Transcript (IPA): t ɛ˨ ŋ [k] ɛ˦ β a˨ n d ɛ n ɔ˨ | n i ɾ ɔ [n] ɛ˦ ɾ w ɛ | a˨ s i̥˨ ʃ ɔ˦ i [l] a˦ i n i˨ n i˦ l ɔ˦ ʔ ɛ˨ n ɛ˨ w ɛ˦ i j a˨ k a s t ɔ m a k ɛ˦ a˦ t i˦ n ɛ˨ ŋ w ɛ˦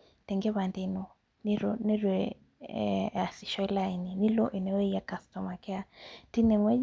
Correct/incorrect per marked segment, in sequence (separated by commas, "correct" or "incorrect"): incorrect, correct, correct